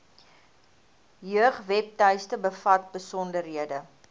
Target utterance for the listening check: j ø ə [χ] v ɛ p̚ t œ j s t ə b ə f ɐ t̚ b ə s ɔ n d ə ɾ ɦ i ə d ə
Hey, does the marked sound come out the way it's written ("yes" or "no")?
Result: yes